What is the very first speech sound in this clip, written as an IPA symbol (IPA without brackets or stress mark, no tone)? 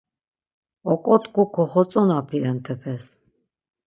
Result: ɔ